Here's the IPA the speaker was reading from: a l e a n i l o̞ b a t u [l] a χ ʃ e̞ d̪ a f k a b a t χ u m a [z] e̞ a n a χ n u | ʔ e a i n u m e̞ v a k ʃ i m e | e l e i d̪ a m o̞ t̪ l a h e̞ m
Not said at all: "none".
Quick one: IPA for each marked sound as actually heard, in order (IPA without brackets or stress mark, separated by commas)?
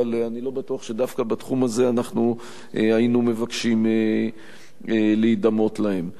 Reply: none, z